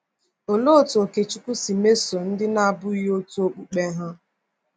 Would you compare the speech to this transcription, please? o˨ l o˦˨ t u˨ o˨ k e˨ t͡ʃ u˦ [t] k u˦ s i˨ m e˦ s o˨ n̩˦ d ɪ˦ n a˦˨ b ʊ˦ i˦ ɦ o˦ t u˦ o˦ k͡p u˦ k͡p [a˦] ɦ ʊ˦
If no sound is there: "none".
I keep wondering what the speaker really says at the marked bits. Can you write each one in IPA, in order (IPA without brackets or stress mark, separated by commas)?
none, e˦